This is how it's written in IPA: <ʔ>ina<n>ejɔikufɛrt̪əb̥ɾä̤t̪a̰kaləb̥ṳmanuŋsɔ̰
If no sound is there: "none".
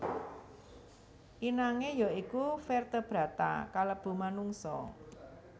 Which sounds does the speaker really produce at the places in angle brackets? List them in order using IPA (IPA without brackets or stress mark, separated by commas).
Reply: ʔ, ŋ